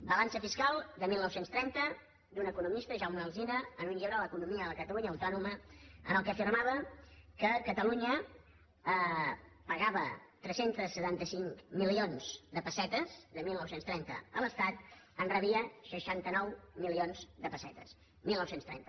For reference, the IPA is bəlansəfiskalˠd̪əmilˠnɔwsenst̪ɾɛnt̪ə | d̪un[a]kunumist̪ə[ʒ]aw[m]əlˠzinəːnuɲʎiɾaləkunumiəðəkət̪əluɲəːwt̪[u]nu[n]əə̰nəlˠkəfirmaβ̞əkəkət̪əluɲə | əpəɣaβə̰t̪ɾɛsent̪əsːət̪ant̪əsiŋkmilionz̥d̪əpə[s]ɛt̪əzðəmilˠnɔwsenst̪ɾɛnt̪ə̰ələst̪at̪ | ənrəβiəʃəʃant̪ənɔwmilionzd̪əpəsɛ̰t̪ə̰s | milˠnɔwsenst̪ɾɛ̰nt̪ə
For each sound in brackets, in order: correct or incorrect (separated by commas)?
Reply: incorrect, correct, correct, incorrect, incorrect, correct